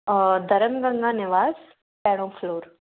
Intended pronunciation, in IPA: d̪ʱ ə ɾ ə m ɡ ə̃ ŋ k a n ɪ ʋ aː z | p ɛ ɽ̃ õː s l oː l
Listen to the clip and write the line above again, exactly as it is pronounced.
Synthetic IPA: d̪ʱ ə ɾ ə m ɡ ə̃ ŋ ɡ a n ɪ ʋ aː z | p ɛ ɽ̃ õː f l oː ɾ